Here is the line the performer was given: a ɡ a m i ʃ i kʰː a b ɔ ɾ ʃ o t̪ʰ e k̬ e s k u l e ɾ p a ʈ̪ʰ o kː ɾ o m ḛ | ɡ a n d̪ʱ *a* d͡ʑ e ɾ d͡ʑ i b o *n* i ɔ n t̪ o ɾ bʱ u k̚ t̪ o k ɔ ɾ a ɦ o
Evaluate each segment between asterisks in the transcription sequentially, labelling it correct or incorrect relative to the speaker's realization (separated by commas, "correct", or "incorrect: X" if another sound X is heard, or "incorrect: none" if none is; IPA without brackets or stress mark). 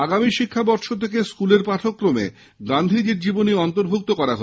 incorrect: i, correct